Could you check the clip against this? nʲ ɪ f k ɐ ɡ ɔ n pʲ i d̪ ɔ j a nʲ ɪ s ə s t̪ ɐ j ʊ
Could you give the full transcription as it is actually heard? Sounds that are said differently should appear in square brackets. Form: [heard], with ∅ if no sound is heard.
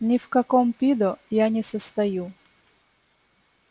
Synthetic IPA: nʲ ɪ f k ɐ [k] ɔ [m] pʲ i d̪ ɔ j a nʲ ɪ s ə s t̪ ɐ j [u]